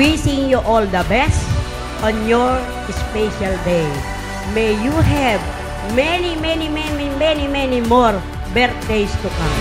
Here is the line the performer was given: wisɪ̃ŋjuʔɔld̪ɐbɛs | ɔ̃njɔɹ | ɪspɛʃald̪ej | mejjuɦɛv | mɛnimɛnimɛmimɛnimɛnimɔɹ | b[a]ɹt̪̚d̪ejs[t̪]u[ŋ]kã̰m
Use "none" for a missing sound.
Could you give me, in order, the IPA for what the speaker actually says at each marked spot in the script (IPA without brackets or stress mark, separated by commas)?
ɛ, t̪, none